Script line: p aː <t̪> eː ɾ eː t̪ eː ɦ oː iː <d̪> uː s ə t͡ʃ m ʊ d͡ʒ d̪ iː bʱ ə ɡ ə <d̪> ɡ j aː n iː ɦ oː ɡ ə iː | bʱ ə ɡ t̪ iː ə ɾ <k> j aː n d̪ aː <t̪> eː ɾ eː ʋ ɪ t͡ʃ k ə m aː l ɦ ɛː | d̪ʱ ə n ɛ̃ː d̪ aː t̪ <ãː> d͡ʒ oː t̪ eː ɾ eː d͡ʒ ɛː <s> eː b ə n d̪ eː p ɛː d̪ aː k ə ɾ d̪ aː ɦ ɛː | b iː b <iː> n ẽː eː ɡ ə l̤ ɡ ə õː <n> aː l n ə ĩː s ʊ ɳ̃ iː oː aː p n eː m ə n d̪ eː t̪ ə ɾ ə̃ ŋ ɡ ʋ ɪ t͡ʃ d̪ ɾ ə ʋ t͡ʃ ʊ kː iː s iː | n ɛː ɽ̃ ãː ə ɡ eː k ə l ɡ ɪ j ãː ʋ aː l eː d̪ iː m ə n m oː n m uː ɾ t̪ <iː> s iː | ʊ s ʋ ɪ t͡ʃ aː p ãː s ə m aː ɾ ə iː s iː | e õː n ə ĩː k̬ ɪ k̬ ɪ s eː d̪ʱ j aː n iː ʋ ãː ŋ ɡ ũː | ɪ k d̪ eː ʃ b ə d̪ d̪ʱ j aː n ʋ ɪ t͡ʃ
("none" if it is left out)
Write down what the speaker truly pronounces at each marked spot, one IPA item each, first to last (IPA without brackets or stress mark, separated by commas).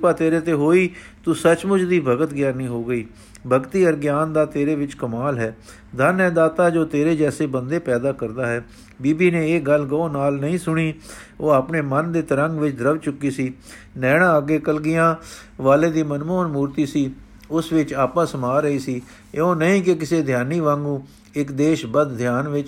t̪, t̪, t̪, ɡ, t̪, aː, s, iː, n, iː